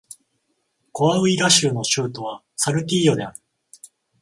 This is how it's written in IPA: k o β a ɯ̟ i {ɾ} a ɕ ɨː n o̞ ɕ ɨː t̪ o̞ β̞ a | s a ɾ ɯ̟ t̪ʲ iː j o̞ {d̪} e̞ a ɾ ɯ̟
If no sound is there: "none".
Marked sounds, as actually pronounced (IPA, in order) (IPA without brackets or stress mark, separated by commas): ɾ, d̪